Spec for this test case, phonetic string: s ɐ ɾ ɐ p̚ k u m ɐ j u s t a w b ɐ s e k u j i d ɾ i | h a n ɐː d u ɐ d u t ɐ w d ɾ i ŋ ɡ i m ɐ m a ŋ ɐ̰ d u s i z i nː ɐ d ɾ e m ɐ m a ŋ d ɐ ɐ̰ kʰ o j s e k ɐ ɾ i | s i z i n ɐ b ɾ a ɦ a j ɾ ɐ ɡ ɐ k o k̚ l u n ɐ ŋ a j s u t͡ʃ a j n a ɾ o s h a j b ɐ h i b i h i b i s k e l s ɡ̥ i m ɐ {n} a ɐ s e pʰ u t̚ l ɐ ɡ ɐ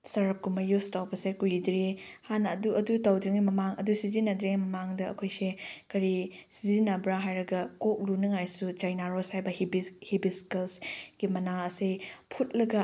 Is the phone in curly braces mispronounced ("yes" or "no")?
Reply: no